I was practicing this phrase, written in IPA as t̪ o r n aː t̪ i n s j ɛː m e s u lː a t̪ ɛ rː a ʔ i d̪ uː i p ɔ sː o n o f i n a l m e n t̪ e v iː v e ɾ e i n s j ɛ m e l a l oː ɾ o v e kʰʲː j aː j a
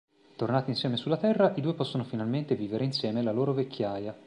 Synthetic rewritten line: t̪ o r n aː t̪ i n s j ɛː m e s u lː a t̪ ɛ rː a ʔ i d̪ uː e p ɔ sː o n o f i n a l m e n t̪ e v iː v e ɾ e i n s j ɛː m e l a l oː ɾ o v e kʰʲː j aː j a